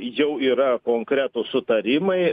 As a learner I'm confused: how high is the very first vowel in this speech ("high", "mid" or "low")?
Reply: mid